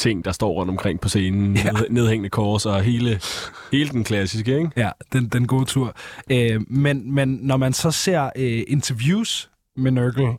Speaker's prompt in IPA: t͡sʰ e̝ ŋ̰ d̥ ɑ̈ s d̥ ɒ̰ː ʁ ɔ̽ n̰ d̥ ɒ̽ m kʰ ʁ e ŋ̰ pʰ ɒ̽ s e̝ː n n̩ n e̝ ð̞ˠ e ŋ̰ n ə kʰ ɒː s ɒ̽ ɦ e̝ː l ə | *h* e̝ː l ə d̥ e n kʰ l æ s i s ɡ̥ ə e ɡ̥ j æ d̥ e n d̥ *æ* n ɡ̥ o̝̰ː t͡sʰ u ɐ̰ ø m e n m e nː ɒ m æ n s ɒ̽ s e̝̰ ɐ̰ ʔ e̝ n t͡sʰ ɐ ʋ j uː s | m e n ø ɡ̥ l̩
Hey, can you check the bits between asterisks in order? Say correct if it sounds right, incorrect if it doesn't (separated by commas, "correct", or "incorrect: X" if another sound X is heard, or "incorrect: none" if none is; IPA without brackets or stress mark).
correct, incorrect: e